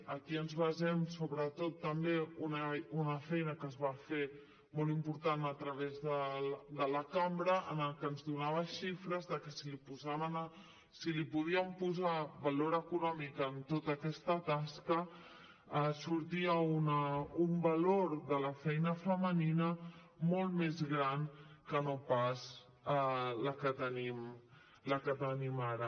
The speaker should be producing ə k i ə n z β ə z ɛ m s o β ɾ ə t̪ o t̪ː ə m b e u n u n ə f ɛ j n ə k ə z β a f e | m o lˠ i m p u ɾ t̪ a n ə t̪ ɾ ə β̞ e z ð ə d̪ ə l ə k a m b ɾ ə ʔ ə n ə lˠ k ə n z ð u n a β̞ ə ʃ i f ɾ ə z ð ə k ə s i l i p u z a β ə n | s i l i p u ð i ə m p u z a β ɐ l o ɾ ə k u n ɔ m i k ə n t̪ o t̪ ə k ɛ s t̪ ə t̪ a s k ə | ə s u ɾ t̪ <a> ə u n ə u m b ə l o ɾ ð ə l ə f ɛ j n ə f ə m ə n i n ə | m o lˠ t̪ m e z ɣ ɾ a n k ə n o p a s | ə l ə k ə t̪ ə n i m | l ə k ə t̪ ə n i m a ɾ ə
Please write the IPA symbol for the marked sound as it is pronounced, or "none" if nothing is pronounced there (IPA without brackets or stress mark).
i